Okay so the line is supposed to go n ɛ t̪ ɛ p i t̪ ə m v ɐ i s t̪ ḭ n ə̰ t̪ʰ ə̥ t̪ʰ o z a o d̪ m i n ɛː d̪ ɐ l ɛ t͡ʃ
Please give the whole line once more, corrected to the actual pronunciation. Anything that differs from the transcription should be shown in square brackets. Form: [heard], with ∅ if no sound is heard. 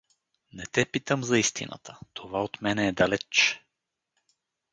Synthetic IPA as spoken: n ɛ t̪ ɛ p i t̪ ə m [z] ɐ i s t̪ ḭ n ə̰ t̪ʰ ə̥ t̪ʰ o [v] a o [t̪] m [ɛ] n ɛː d̪ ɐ l ɛ t͡ʃ